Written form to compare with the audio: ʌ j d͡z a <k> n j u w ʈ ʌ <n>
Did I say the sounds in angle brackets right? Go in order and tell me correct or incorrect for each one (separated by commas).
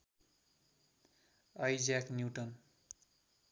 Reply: correct, correct